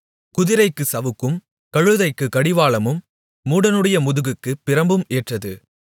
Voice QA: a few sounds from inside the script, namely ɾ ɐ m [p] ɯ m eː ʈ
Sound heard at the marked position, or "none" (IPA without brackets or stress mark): b